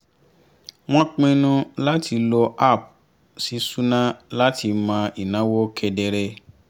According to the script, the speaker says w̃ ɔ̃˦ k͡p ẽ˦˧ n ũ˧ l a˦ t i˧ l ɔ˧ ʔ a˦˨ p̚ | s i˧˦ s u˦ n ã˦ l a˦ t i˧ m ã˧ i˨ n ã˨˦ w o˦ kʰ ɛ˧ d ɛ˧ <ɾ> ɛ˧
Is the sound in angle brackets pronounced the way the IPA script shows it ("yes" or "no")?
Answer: yes